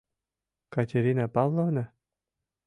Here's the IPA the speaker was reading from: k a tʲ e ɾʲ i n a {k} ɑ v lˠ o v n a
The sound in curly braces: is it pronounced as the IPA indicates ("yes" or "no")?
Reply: no